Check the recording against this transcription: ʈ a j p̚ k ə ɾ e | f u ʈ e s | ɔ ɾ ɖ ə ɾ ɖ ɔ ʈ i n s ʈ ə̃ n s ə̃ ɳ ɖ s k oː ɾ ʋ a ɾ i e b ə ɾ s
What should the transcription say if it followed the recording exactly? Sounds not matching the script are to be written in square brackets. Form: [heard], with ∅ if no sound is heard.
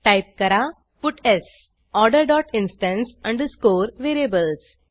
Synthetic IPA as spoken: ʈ a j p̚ k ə ɾ [a] | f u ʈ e s | ɔ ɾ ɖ ə ɾ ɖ ɔ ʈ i n s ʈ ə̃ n s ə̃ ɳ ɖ s k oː ɾ ʋ [e] ɾ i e b ə [l] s